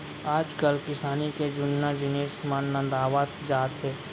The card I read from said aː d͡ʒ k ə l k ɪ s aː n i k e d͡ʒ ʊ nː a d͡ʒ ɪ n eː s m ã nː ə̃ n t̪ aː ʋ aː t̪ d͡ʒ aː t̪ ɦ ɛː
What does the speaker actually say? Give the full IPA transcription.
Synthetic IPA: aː d͡ʒ k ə l k ɪ s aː n i k e d͡ʒ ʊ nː a d͡ʒ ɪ n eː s m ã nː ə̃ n d̪ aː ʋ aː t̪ d͡ʒ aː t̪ ɦ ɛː